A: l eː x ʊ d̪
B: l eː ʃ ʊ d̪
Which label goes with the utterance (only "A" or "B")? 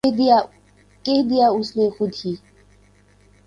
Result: A